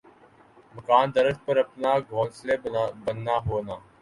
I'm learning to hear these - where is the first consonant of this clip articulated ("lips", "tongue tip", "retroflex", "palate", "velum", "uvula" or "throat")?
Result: lips